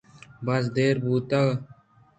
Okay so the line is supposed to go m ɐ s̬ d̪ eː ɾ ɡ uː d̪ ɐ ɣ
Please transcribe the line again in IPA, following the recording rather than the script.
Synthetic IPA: b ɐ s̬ d̪ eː ɾ b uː t̪ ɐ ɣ